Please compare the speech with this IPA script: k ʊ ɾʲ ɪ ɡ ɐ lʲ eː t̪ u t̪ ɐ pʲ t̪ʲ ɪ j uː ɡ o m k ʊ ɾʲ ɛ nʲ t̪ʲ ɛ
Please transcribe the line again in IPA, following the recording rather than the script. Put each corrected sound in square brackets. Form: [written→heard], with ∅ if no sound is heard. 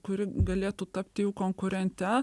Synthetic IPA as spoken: k ʊ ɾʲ ɪ ɡ ɐ lʲ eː t̪ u t̪ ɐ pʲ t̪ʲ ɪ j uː [ɡ→k] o [m→ŋ] k ʊ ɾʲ ɛ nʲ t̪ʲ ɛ